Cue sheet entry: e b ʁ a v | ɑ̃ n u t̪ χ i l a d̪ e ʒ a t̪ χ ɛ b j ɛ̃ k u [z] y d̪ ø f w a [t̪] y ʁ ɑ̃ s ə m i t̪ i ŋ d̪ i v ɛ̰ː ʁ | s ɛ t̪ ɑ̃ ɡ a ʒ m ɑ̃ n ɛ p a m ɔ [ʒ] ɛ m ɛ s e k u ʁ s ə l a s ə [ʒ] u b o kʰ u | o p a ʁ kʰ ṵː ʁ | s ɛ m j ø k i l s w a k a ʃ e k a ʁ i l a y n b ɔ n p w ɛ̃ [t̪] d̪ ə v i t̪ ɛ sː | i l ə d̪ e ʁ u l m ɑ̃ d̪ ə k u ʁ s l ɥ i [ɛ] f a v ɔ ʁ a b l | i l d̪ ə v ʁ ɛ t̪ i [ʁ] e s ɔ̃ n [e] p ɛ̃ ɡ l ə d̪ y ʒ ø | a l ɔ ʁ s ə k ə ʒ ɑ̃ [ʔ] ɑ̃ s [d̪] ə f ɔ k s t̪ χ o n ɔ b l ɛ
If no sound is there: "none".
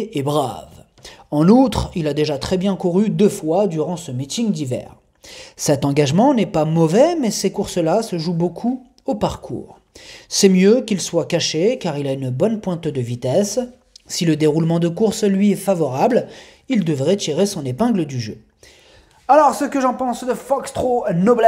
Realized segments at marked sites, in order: ʁ, d̪, v, ʒ, t̪, ɛ, ʁ, e, p, d̪

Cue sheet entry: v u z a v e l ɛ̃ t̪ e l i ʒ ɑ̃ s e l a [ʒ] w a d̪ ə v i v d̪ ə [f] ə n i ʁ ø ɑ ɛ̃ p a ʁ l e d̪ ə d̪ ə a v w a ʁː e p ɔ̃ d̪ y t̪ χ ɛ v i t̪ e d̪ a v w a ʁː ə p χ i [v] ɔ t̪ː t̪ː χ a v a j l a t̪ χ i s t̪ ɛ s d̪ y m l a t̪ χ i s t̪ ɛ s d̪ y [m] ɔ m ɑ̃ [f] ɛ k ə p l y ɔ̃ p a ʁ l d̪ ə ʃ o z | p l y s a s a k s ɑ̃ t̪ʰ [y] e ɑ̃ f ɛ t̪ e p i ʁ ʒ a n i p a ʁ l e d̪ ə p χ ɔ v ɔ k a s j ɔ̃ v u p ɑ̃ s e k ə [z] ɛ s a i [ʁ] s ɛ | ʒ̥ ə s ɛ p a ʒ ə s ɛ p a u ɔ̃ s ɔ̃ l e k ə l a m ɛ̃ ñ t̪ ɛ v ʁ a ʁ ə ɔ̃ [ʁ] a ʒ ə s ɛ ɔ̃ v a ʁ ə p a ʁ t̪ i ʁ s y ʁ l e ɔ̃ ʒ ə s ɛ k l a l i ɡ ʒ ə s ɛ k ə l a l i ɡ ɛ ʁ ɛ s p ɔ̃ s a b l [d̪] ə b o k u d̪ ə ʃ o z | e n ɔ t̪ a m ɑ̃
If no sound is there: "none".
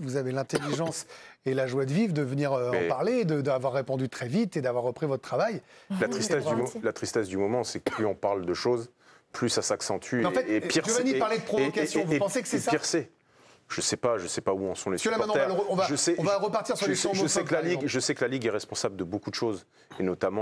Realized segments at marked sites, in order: ʒ, v, v, m, s, y, s, ʁ, v, d̪

